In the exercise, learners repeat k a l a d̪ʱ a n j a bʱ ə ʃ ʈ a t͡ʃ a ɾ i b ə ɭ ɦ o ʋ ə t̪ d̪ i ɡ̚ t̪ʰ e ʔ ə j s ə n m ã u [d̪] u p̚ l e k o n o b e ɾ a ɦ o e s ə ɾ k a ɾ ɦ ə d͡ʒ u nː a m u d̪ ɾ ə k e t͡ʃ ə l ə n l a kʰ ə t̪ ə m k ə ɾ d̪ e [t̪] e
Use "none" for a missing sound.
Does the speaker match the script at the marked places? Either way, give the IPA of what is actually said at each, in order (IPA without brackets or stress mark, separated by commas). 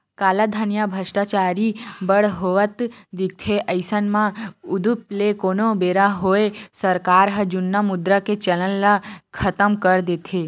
d̪, t̪ʰ